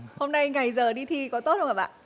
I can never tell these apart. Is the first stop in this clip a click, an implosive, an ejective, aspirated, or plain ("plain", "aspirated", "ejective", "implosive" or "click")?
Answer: implosive